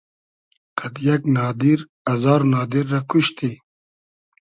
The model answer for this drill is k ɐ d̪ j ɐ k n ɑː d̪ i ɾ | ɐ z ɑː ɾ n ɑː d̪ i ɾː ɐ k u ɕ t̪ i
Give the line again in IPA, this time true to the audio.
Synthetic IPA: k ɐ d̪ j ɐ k n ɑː d̪ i ɾ | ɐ z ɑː ɾ n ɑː d̪ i ɾː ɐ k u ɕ t̪ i

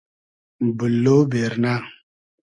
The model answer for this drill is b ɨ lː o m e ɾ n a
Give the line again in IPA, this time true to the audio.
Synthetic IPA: b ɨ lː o b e ɾ n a

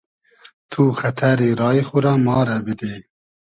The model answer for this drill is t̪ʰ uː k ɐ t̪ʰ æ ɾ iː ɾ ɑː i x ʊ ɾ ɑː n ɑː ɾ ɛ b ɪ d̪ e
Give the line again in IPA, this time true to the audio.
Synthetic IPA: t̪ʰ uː x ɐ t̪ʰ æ ɾ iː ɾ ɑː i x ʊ ɾ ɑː m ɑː ɾ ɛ b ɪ d̪ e

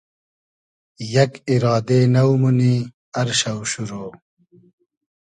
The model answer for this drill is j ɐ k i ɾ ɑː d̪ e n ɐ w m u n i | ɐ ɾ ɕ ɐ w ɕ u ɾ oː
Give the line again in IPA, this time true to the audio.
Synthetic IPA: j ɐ k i ɾ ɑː d̪ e n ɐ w m u n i | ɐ ɾ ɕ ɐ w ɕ u ɾ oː

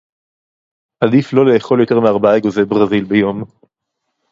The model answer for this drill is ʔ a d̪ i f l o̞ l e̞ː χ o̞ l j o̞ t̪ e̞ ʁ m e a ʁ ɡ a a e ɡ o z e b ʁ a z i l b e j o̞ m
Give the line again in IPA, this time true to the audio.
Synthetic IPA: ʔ a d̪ i f l o̞ l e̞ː χ o̞ l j o̞ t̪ e̞ ʁ m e a ʁ b a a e ɡ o z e b ʁ a z i l b e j o̞ m

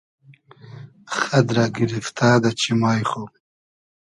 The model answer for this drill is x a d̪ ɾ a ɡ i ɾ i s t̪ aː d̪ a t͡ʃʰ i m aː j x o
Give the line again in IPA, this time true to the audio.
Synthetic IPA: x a d̪ ɾ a ɡ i ɾ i f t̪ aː d̪ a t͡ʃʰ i m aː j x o

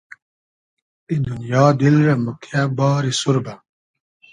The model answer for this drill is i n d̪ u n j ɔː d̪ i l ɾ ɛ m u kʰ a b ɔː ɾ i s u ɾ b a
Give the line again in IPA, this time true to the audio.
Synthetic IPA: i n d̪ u n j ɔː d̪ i l ɾ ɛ m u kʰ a b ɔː ɾ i s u ɾ b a

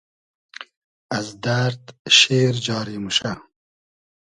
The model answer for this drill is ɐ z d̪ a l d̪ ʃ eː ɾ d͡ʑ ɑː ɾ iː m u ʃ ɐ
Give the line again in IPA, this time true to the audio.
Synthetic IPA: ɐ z d̪ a ɾ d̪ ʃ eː ɾ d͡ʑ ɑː ɾ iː m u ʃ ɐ

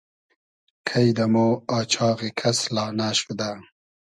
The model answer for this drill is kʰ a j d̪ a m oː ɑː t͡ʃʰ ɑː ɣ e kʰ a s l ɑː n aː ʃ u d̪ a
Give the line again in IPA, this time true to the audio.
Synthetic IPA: kʰ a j d̪ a m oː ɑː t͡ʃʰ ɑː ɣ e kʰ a s l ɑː n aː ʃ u d̪ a

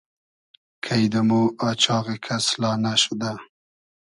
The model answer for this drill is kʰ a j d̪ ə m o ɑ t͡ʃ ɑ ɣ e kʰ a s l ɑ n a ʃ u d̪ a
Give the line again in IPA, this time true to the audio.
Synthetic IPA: kʰ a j d̪ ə m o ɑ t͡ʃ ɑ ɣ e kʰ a s l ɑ n a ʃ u d̪ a

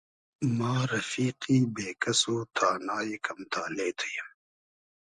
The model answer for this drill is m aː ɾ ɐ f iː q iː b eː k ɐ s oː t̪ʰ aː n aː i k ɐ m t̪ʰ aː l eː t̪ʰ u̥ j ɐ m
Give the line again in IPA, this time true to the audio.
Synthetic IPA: m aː ɾ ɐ f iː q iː b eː k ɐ s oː t̪ʰ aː n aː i k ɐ m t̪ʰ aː l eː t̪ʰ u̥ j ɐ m

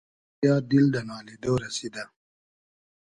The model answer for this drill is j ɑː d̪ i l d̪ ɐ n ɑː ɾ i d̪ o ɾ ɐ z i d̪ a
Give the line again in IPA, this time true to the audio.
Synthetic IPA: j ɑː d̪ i l d̪ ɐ n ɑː l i d̪ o ɾ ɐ s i d̪ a

